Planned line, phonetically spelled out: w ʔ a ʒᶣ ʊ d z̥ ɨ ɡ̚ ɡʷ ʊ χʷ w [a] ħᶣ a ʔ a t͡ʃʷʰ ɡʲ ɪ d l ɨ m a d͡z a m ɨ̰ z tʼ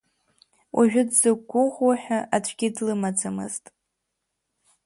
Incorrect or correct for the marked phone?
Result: correct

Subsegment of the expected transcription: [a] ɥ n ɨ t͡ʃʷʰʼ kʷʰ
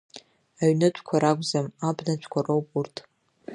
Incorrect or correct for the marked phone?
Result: correct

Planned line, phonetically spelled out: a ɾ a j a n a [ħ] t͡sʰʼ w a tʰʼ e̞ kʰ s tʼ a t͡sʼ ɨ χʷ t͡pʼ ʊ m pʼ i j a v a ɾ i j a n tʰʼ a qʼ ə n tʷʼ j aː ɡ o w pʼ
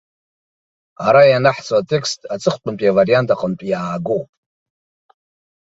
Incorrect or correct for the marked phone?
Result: correct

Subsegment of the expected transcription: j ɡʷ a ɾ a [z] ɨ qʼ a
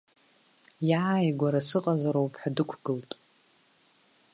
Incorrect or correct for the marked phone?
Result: incorrect: s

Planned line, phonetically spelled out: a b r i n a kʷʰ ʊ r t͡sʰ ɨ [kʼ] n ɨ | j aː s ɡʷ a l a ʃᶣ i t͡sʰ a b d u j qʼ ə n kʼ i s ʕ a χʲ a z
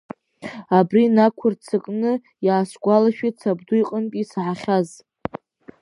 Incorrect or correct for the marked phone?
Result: correct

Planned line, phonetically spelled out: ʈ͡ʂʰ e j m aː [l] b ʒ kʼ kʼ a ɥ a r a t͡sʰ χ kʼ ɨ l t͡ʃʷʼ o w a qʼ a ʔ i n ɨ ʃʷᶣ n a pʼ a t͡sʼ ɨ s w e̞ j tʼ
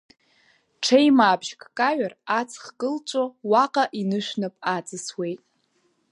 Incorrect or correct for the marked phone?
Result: incorrect: none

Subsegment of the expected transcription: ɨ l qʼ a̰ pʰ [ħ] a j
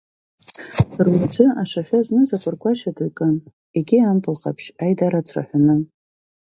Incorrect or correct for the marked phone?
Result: incorrect: ʃ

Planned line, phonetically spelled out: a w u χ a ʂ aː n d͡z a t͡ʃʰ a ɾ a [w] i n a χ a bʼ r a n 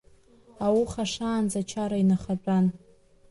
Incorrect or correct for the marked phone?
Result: incorrect: none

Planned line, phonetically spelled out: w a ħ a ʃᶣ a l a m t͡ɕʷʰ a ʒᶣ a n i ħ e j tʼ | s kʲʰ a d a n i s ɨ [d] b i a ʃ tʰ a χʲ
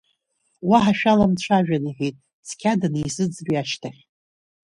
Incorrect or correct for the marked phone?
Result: incorrect: d͡z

